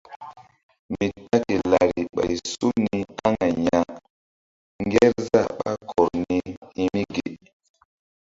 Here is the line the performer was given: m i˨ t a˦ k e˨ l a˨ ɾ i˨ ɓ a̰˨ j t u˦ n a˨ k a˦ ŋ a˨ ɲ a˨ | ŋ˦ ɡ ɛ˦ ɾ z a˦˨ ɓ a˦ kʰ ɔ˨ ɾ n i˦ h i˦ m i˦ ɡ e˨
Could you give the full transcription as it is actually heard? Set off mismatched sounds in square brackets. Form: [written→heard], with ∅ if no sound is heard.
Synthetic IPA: m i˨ t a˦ k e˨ l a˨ ɾ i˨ ɓ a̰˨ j [t→s] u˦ n [a˨→i˨] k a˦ ŋ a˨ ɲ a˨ | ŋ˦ ɡ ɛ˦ ɾ z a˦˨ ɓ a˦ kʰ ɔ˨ ɾ n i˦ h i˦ m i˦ ɡ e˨